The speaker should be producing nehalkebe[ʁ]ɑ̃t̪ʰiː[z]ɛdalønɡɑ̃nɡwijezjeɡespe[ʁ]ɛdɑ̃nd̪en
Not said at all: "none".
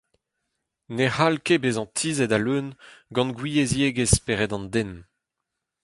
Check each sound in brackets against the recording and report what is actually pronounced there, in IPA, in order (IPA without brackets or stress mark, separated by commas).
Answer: z, z, ʁ